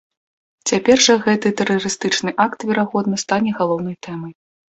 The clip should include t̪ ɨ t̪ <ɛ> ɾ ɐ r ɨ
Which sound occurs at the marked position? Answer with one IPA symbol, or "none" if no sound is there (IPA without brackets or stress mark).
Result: ɛ